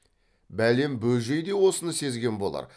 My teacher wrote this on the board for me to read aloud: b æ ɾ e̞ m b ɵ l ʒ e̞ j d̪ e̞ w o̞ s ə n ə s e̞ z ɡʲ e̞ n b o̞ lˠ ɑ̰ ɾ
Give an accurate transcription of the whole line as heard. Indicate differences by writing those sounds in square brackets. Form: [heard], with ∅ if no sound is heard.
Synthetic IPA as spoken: b æ [l] e̞ m b ɵ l ʒ e̞ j d̪ e̞ w o̞ s ə n ə s e̞ z ɡʲ e̞ n b o̞ lˠ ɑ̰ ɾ